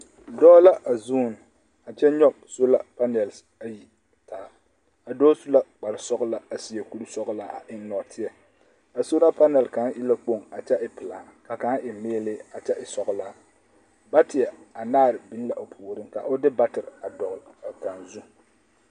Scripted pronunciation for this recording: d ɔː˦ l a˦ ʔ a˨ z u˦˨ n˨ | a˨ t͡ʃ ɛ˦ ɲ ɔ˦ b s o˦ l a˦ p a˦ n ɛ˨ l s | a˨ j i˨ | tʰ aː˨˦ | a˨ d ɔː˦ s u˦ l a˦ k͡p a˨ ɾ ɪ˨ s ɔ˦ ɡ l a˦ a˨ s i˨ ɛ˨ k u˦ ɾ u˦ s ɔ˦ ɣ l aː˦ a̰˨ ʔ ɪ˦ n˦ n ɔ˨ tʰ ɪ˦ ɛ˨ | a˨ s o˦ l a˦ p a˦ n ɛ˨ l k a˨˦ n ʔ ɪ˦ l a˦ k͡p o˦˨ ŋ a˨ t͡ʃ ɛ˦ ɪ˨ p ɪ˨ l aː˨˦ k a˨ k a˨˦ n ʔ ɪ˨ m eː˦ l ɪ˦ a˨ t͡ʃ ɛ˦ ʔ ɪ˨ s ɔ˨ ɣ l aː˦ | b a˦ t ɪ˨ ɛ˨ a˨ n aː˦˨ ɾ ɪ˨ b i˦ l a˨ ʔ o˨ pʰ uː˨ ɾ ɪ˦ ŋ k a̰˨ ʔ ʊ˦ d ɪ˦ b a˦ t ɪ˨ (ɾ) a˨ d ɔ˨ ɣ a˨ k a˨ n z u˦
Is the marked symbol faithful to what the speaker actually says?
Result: yes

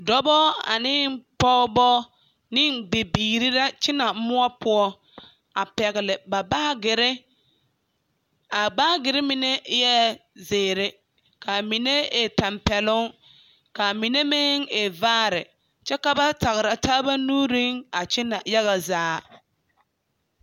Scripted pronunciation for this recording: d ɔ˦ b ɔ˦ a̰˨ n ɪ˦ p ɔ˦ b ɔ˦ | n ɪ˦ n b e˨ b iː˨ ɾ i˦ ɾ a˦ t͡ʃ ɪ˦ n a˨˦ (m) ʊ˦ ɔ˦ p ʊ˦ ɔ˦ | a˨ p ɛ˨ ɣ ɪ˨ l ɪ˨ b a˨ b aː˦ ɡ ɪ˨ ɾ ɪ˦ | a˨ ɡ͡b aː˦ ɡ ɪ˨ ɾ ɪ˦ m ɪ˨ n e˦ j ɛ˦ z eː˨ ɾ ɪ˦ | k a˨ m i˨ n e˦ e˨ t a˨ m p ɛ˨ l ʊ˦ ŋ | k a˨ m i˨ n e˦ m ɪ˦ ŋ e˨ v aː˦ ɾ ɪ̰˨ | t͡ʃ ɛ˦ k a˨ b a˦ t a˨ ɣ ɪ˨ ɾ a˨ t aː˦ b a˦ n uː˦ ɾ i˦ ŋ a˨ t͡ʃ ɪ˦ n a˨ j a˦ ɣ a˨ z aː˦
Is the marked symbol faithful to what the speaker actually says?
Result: yes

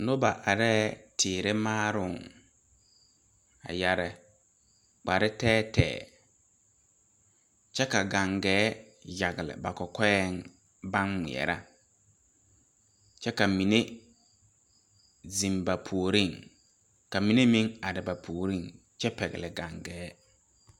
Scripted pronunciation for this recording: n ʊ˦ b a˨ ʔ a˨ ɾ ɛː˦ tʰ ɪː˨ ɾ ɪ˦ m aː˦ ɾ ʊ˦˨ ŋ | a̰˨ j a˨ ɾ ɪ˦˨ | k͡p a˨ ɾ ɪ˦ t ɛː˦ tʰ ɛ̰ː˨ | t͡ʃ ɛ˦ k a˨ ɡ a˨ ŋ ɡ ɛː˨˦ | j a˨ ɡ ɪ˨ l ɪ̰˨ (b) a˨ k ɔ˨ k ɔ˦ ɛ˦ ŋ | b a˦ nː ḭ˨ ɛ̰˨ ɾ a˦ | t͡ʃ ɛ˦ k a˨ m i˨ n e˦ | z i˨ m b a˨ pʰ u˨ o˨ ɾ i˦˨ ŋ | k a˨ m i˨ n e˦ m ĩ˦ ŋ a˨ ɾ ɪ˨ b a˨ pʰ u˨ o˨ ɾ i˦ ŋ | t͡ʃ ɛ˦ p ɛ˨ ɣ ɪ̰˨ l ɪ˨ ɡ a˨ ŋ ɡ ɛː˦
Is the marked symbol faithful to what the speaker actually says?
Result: yes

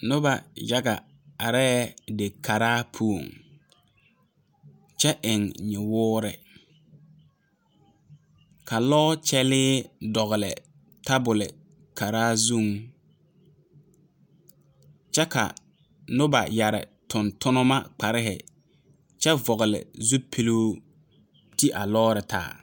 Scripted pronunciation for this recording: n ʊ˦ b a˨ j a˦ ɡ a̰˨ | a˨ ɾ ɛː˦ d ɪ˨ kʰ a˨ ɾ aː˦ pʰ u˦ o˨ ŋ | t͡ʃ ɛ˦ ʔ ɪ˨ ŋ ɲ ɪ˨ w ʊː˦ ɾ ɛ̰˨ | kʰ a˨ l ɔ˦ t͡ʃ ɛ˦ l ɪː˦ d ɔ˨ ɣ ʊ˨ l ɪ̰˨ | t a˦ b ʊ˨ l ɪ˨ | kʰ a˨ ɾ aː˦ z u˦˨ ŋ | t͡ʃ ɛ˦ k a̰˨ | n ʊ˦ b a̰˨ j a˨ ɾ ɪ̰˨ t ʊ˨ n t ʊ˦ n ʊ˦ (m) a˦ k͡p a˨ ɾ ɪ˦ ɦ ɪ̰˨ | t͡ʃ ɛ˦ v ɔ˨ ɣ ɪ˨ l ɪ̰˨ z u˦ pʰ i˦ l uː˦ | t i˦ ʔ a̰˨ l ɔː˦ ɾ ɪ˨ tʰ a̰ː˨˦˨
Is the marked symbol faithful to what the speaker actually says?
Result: yes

